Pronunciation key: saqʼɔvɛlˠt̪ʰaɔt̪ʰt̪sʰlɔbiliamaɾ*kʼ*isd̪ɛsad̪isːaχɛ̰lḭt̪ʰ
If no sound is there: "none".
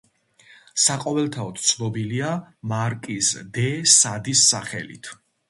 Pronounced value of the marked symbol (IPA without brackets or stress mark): kʼ